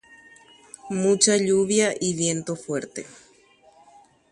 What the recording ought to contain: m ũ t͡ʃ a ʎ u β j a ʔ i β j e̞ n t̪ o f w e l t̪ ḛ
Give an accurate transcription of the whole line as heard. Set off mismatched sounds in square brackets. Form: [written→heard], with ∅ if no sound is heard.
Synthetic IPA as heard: m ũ t͡ʃ a ʎ u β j a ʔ i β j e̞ n t̪ o f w e [l→ɾ] t̪ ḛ

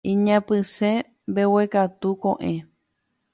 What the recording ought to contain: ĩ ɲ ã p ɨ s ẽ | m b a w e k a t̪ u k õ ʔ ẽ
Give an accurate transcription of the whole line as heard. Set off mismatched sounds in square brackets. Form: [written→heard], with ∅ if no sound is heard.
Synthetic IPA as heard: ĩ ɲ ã p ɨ s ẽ | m b [a→e] w e k a t̪ u k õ ʔ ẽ

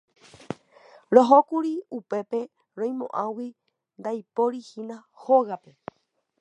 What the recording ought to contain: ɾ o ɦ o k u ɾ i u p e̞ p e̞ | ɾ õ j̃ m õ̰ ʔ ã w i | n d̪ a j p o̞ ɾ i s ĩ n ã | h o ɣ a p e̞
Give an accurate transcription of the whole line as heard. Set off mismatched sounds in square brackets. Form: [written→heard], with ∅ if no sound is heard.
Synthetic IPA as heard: ɾ o ɦ o k u ɾ i u p e̞ p e̞ | ɾ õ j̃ m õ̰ ʔ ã w i | n d̪ a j p o̞ ɾ i [s→h] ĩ n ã | h o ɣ a p e̞

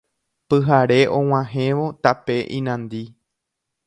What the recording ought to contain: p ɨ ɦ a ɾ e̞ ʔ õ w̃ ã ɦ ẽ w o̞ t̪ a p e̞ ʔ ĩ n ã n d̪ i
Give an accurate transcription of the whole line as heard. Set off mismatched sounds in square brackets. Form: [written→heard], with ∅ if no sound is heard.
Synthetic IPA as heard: p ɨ ɦ a ɾ e̞ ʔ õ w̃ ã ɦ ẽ [w→ʋ] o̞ t̪ a p e̞ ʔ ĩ n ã n d̪ i

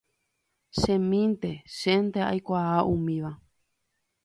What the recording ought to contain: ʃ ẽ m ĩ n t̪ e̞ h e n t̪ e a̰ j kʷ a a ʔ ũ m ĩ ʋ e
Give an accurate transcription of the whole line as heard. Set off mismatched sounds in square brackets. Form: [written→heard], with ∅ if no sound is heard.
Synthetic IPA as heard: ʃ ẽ m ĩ n t̪ e̞ [h→ʃ] e n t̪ e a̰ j kʷ a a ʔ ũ m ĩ ʋ [e→a]

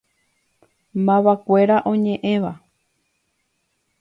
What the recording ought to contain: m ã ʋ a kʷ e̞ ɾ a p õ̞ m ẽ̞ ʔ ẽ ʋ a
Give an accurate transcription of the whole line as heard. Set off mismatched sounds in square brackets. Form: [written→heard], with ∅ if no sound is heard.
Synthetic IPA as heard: m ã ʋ a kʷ e̞ ɾ a [p→ʔ] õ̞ [m→ɲ] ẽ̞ ʔ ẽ ʋ a

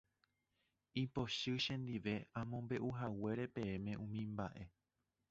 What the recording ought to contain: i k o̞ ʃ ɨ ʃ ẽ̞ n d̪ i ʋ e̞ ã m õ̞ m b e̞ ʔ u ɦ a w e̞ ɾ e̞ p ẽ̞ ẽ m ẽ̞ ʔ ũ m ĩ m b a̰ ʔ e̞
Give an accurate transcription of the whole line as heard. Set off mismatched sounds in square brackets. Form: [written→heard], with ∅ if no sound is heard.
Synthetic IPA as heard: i [k→p] o̞ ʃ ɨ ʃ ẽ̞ n d̪ i ʋ e̞ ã m õ̞ m b e̞ ʔ u ɦ a w e̞ ɾ e̞ p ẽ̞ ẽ m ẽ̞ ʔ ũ m ĩ m b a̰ ʔ e̞

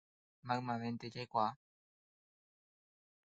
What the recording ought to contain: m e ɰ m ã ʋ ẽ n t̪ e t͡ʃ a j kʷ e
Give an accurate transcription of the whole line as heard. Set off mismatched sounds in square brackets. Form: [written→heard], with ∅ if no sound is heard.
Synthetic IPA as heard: m [e→a] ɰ m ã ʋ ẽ n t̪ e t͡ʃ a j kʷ [e→a]

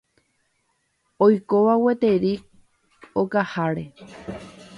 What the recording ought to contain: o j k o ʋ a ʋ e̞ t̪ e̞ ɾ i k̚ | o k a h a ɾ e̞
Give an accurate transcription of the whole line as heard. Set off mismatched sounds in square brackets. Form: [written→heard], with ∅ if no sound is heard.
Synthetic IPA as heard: o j k o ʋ a [ʋ→w] e̞ t̪ e̞ ɾ i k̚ | o k a h a ɾ e̞

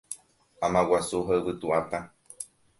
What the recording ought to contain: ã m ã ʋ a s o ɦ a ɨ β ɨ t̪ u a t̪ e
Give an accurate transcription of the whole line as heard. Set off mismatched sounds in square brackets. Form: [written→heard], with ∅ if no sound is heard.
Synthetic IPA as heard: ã m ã [ʋ→w] a s [o→u] ɦ a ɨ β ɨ t̪ u a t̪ [e→a]

